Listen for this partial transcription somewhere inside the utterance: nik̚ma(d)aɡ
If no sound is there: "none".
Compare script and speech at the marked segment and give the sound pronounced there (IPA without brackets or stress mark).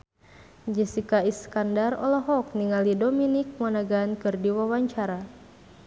n